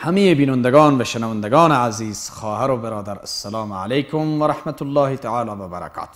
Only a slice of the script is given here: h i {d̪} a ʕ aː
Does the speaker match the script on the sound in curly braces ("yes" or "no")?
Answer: no